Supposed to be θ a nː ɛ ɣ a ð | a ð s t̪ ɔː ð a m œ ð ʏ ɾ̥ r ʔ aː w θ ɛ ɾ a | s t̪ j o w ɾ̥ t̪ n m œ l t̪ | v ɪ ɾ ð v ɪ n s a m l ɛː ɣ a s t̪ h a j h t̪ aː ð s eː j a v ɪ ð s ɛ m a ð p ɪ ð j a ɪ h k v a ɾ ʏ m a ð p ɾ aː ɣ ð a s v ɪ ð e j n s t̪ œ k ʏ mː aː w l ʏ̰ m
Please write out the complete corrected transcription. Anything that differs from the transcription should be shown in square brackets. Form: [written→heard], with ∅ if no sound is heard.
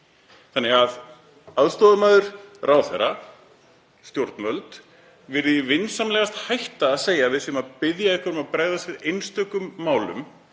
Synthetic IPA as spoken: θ a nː ɛ ɣ a ð | a ð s t̪ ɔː ð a m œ ð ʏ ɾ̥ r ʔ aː w θ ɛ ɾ a | s t̪ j o w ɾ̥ t̪ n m œ l t̪ | v ɪ ɾ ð v ɪ n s a m l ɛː ɣ a s t̪ h a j h t̪ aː ð s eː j a v ɪ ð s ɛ m a ð p ɪ ð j a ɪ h k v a ɾ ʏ m a ð p ɾ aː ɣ ð a s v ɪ ð e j n s t̪ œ k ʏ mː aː w l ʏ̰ m

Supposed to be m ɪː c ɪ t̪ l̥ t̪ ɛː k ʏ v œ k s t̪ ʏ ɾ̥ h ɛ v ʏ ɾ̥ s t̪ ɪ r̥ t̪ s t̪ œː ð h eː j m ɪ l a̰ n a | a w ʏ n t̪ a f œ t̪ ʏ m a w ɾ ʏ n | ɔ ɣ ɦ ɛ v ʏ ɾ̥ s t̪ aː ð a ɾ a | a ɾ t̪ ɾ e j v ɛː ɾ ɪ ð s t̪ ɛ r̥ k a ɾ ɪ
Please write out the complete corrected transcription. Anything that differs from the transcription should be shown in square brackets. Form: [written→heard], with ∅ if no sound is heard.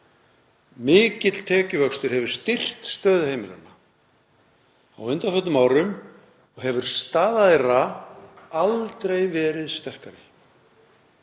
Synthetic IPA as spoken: m ɪː c ɪ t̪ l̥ [t̪→t̪ʰ] ɛː [k→c] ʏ v œ k s t̪ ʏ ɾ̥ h ɛ v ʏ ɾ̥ s t̪ ɪ r̥ t̪ s t̪ œː ð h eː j m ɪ l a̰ n a | a w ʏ n t̪ a f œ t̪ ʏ m a w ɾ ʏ [n→m] | ɔ ɣ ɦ ɛ v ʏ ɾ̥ s t̪ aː ð a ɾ a | a [ɾ→l] t̪ ɾ e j v ɛː ɾ ɪ ð s t̪ ɛ r̥ k a ɾ ɪ

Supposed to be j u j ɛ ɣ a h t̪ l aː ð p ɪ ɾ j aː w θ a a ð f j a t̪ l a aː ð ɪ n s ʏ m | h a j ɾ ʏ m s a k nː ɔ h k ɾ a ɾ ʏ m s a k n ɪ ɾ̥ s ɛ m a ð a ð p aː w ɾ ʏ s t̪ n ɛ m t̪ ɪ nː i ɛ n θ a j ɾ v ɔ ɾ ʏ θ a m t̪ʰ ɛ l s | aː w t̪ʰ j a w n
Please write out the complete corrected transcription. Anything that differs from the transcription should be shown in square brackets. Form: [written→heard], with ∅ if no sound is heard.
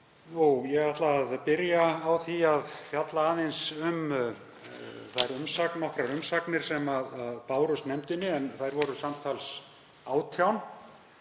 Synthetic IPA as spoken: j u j ɛ ɣ a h t̪ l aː ð p ɪ ɾ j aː w θ [a→i] a ð f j a t̪ l a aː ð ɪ n s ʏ m | [h→θ] a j ɾ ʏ m s a k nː ɔ h k ɾ a ɾ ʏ m s a k n ɪ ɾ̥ s ɛ m a ð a ð p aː w ɾ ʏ s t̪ n ɛ m t̪ ɪ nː [i→ɪ] ɛ n θ a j ɾ v ɔ ɾ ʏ [θ→s] a m t̪ʰ [ɛ→a] l s | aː w t̪ʰ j a w n

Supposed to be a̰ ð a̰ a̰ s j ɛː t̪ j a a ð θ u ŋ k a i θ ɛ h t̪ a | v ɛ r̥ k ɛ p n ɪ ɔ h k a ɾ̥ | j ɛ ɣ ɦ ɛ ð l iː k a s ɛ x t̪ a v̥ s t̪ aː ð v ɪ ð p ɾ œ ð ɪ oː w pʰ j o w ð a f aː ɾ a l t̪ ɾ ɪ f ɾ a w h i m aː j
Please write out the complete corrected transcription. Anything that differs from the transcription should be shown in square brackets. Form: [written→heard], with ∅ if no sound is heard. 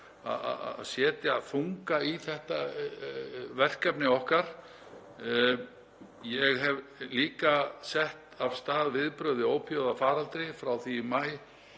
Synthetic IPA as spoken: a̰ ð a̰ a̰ s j ɛː t̪ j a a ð θ u ŋ k a i θ ɛ h t̪ a | v ɛ r̥ k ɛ p n ɪ ɔ h k a ɾ̥ | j ɛ ɣ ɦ ɛ [ð→v] l iː k a s ɛ [x→h] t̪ a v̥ s t̪ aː ð v ɪ ð p ɾ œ ð ɪ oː w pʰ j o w ð a f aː ɾ a l t̪ ɾ ɪ f ɾ a w [h→θ] i m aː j

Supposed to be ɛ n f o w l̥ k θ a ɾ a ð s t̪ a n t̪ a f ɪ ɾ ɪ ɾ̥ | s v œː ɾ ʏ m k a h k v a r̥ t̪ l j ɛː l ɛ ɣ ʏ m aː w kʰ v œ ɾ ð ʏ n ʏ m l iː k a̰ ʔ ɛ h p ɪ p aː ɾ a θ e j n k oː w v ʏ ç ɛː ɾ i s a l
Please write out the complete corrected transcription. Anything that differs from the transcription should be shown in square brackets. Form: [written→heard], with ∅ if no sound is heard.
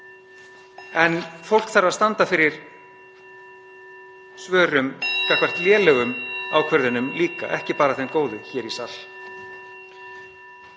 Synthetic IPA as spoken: ɛ n f o w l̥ k θ a ɾ a ð s t̪ a n t̪ a f ɪ ɾ ɪ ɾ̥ | s v œː ɾ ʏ m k a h k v a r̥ t̪ l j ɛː l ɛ ɣ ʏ m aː w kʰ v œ ɾ ð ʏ n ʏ m l iː k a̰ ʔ ɛ h [p→c] ɪ p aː ɾ a θ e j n k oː w [v→ð] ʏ ç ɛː ɾ i s a l

